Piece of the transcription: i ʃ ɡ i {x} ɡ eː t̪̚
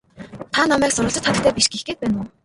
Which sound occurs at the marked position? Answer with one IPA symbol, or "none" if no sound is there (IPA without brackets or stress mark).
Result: x